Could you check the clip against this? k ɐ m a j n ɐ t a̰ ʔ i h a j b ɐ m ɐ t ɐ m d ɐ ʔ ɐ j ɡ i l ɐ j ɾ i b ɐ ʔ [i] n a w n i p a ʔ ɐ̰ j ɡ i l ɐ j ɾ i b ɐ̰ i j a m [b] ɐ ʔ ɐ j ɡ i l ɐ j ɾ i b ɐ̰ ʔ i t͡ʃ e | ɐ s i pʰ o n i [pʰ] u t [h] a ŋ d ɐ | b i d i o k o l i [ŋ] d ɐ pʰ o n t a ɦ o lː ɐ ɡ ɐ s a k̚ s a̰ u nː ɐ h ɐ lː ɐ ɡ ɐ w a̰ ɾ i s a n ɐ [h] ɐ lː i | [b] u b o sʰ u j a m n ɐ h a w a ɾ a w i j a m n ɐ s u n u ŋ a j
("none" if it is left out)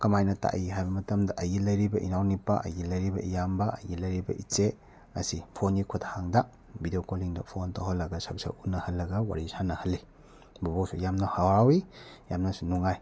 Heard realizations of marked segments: i, b, kʰ, h, ŋ, h, b

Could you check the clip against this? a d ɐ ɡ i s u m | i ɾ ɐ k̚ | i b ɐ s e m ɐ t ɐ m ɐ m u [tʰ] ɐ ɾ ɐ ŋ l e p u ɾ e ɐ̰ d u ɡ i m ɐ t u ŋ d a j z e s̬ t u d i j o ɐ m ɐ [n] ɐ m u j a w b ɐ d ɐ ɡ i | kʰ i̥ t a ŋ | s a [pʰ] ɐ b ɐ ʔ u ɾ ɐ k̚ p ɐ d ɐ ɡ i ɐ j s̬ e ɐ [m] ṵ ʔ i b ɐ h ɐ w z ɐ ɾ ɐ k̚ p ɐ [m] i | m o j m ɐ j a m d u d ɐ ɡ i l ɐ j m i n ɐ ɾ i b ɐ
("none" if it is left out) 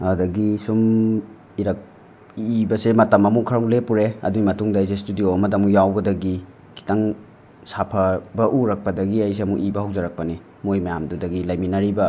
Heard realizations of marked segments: kʰ, d, pʰ, m, n

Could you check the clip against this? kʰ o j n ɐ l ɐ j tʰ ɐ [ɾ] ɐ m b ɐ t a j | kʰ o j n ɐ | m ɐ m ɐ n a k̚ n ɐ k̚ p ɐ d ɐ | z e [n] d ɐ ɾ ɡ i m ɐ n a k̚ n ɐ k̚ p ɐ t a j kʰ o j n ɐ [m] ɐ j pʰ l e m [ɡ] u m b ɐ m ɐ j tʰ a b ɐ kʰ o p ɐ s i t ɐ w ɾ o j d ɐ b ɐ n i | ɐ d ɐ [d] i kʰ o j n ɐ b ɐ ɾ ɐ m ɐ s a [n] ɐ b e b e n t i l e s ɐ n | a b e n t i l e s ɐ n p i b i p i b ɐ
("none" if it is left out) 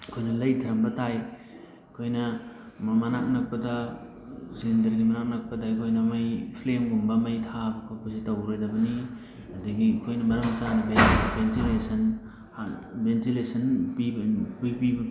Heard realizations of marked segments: ɾ, n, m, ɡ, ɡ, n

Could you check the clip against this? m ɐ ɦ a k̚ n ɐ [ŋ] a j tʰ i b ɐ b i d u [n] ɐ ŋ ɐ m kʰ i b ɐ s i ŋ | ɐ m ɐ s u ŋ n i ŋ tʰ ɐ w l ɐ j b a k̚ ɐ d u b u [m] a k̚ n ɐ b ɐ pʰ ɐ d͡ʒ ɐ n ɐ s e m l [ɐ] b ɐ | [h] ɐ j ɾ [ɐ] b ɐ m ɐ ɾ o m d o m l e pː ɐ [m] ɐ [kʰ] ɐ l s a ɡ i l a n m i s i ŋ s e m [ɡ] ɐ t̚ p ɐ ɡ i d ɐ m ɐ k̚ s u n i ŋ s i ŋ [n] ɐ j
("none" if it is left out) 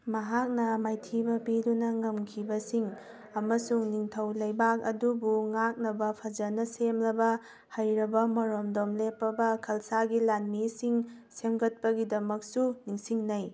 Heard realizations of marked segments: m, n, ŋ, ɐ, h, ɐ, b, kʰ, ɡ, n

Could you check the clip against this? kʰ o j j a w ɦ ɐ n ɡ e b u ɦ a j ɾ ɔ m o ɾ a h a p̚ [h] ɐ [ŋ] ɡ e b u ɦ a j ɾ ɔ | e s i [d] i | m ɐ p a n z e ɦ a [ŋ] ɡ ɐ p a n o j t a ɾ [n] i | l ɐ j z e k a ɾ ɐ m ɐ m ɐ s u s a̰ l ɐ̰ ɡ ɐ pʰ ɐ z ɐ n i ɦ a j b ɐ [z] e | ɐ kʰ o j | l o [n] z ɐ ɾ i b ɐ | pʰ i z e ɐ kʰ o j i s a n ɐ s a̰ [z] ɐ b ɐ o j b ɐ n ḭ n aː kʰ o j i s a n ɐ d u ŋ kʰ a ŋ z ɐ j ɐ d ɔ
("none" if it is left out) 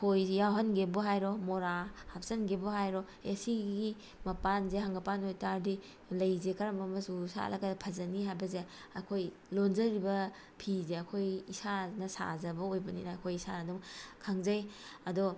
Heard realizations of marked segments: s, n, ɡ, ŋ, d, z, n, z

